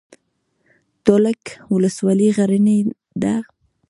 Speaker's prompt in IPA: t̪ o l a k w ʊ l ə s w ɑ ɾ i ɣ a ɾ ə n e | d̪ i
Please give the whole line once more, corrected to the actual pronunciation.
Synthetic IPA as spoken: t̪ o l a k w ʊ l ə s w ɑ l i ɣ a ɾ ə n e | d̪ a